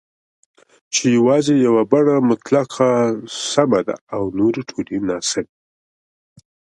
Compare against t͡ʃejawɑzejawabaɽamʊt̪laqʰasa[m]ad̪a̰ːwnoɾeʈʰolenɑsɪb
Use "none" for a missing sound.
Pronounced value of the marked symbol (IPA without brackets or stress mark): m